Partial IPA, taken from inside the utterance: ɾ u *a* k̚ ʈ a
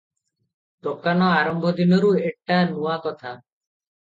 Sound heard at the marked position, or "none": e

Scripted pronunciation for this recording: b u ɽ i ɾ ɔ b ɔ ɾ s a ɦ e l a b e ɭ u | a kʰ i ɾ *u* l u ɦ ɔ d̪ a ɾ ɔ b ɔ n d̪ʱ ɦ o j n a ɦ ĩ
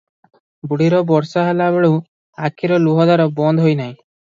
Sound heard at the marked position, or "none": ɔ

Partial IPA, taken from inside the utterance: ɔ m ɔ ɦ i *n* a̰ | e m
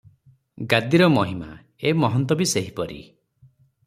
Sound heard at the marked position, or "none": m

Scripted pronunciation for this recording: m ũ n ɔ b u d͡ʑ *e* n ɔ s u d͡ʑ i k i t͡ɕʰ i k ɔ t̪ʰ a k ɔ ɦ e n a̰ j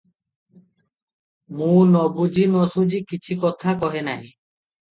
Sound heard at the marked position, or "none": i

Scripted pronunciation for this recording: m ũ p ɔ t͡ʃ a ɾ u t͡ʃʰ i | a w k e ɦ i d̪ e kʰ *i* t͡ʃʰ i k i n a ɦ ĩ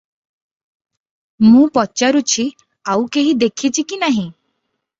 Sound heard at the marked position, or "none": i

